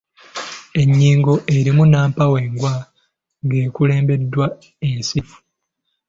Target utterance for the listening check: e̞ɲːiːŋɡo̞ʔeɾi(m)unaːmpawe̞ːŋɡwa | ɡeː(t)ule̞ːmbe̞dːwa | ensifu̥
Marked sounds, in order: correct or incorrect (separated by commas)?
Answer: correct, incorrect